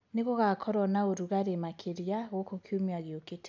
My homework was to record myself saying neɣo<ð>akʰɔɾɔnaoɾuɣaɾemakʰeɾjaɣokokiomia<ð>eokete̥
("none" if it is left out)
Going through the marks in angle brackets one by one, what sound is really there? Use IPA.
ɣ, ɣ

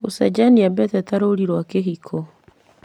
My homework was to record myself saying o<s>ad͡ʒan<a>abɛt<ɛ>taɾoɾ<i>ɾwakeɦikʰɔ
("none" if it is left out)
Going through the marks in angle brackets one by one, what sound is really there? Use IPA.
s, i, ɛ, i

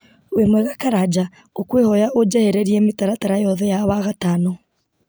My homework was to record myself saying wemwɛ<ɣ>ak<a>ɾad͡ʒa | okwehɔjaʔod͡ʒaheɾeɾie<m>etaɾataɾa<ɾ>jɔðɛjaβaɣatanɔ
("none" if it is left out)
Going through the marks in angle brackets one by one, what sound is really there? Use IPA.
ɣ, a, m, none

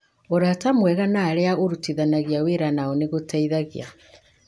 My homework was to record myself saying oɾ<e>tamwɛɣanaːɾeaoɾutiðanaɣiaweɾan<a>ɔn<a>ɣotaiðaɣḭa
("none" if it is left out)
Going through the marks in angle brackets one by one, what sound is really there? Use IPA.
a, a, e

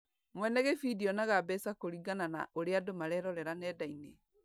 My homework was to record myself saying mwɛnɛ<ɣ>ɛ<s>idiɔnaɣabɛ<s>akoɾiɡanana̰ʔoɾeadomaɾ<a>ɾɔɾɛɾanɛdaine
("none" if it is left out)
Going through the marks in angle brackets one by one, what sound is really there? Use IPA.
ɣ, f, s, ɛ

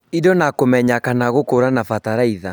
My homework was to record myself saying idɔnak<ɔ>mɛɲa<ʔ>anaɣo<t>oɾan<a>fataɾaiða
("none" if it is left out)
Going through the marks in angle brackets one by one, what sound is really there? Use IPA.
o, k, k, a

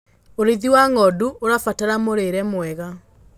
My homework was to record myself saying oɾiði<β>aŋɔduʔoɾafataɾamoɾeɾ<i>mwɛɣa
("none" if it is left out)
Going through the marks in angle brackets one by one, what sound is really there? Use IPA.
w, ɛ

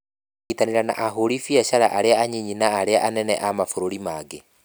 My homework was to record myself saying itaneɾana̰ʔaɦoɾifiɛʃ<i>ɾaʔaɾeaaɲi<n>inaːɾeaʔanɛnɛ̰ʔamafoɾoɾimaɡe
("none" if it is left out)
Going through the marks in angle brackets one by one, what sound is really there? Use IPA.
a, ɲ

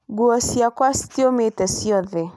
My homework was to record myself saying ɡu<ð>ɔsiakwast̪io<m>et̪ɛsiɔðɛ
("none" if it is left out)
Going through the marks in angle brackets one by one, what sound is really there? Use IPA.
none, m

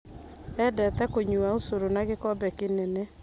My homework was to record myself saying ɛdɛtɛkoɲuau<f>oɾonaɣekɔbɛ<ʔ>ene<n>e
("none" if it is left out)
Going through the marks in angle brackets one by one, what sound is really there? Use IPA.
s, k, n

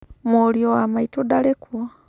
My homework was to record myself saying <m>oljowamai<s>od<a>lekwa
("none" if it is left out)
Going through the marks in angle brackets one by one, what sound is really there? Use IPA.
m, t, a

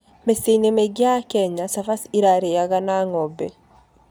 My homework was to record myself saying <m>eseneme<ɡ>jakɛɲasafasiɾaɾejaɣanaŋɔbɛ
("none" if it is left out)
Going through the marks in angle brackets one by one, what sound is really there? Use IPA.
m, ɡ

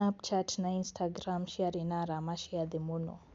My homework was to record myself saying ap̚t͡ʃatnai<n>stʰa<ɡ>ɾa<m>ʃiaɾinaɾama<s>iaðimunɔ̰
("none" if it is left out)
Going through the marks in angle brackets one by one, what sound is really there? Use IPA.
n, ɡ, m, ʃ

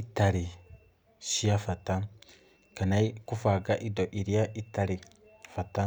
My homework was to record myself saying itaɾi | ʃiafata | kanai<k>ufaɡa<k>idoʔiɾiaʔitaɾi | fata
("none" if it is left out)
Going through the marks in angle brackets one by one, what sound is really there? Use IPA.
k, ʔ

